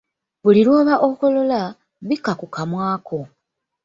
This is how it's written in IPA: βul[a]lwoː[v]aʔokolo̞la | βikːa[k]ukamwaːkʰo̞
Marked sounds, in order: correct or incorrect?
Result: incorrect: i, incorrect: β, correct

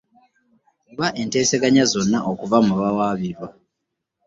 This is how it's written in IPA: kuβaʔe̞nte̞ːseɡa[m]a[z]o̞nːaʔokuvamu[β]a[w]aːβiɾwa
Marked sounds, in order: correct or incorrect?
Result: incorrect: ɲ, correct, correct, correct

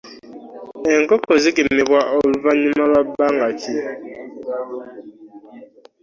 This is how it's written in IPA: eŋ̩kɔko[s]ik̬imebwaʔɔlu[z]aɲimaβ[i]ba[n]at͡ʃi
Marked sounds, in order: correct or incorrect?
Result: incorrect: z, incorrect: v, incorrect: a, incorrect: ŋ

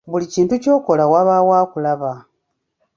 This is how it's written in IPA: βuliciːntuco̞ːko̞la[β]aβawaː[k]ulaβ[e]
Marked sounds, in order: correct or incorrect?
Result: incorrect: w, correct, incorrect: a

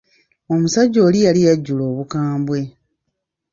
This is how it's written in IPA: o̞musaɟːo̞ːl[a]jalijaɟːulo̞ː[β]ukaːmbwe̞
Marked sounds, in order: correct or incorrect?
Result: incorrect: i, correct

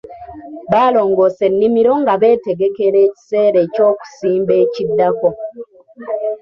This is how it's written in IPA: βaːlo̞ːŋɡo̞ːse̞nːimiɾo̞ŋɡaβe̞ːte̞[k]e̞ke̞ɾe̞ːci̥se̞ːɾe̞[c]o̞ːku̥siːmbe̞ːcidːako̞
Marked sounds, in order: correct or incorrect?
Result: incorrect: ɡ, correct

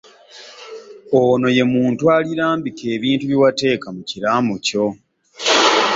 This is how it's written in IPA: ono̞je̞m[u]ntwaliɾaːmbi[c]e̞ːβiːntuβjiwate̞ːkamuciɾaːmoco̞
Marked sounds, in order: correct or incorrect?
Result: incorrect: uː, incorrect: k

